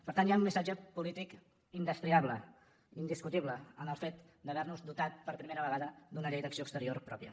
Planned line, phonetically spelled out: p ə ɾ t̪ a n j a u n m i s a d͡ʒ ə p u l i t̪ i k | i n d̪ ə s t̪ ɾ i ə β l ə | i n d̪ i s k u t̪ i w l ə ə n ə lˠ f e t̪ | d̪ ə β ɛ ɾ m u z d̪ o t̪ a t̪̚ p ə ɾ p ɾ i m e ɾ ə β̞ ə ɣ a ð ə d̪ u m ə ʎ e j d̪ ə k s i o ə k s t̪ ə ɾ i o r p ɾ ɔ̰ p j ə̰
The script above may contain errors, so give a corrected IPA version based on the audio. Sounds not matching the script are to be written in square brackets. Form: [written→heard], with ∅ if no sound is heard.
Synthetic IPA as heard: p ə ɾ t̪ a n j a u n m i s a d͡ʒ ə p u l i t̪ i k | i n d̪ ə s t̪ ɾ i [ə→a] β l ə | i n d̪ i s k u t̪ i [w→β] l ə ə n ə lˠ f e t̪ | d̪ ə β ɛ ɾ [m→n] u z d̪ [o→u] t̪ a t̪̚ p ə ɾ p ɾ i m e ɾ ə β̞ ə ɣ a ð ə d̪ u [m→n] ə ʎ e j d̪ ə k s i o ə k s t̪ ə ɾ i o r p ɾ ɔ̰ p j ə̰

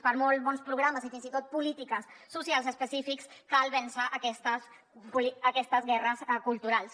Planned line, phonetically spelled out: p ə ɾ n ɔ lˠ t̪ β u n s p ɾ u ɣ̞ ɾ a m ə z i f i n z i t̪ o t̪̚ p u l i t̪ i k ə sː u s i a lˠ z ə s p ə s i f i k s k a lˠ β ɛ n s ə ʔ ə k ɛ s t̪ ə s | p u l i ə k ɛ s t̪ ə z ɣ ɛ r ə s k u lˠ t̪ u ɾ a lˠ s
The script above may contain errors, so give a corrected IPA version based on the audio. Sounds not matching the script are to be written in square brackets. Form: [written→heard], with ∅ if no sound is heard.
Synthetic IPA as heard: p ə ɾ [n→m] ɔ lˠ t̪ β [u→ɔ] n s p ɾ u ɣ̞ ɾ a m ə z i f i n z i t̪ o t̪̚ p u l i t̪ i k ə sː u s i a lˠ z ə s p ə s i f i k s k a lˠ β ɛ n s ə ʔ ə k ɛ s t̪ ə s | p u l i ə k ɛ s t̪ ə z ɣ ɛ r ə s k u lˠ t̪ u ɾ a lˠ s

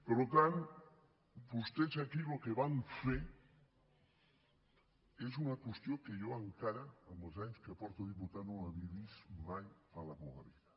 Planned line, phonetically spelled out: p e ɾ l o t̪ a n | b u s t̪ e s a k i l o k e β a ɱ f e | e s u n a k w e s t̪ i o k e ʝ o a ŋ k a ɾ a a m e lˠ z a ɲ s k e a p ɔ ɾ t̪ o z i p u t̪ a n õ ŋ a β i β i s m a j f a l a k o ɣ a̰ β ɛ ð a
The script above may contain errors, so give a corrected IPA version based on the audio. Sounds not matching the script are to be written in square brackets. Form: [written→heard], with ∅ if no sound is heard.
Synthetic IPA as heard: p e ɾ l o t̪ a n | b u s t̪ e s a k i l o k e β a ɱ f e | e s u n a k w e s t̪ [i→j] o k e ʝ o a ŋ k a ɾ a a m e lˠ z a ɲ s k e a p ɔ ɾ t̪ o [z→ð] i p u t̪ a n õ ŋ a β i β i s m a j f a l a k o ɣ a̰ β [ɛ→i] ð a

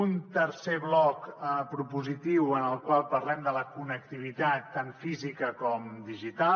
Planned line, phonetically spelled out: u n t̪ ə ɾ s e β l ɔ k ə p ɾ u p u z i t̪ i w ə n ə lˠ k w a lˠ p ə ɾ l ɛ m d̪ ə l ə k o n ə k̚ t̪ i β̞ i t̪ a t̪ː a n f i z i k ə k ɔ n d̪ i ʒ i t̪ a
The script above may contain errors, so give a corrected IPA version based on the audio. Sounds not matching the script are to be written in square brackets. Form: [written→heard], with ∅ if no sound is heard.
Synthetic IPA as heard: u n t̪ ə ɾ s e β l ɔ k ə p ɾ u p u z i t̪ i w ə n ə lˠ k w a lˠ p ə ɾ l ɛ m d̪ ə l ə k [o→u] n ə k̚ t̪ i β̞ i t̪ a t̪ː a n f i z i k ə k ɔ [n→m] d̪ i ʒ i t̪ a

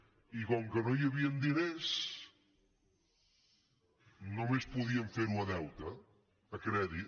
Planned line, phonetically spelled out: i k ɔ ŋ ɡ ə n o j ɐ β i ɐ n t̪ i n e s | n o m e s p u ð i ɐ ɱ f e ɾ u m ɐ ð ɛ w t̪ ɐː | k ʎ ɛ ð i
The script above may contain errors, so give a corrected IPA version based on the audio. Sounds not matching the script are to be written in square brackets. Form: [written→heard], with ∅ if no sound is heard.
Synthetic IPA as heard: i k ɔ ŋ [ɡ→k] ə n o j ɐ β i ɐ n [t̪→d̪] i n e s | n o m e s p u ð i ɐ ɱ f e ɾ u [m→n] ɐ ð ɛ w t̪ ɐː | k [ʎ→ɾ] ɛ ð i

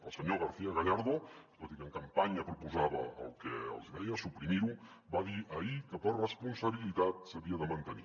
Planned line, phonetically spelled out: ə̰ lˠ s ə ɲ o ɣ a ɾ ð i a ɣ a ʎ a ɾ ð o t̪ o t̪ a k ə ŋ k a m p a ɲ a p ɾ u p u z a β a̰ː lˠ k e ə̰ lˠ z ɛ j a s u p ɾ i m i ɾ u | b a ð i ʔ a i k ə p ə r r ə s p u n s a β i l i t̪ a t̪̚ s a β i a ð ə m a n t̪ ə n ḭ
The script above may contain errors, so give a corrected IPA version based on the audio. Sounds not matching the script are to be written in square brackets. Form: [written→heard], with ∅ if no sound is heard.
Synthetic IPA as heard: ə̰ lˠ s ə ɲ o ɣ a ɾ [ð→θ] i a ɣ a ʎ a ɾ ð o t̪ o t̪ [a→i] k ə ŋ k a m p a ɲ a p ɾ u p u z a β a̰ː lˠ k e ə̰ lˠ z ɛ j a s u p ɾ i m i ɾ u | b a ð i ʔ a i k ə p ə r r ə s p u n s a β i l i t̪ a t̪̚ s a β i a ð ə m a n t̪ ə n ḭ

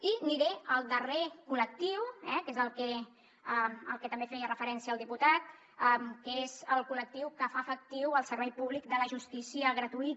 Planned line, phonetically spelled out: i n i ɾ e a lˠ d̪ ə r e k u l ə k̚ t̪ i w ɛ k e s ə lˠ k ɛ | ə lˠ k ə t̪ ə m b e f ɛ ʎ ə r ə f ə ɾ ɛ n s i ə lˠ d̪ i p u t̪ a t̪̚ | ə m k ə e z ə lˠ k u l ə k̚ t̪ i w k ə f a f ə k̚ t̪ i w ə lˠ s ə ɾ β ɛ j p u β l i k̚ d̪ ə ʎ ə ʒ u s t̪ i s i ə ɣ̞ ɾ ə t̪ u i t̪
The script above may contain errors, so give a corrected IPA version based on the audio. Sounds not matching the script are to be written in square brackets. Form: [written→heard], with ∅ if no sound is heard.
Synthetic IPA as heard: i n i ɾ e [a→ə] lˠ d̪ ə r e k u l ə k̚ t̪ i w ɛ k e [s→z] ə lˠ k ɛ | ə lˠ k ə t̪ ə m b e f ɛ [ʎ→j] ə r ə f ə ɾ ɛ n s i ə lˠ d̪ i p u t̪ a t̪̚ | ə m k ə e z ə lˠ k u l ə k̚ t̪ i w k ə f a f ə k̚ t̪ i w ə lˠ s ə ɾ β ɛ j p u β l i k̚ d̪ ə [ʎ→l] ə ʒ u s t̪ i s i ə ɣ̞ ɾ ə t̪ u i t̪

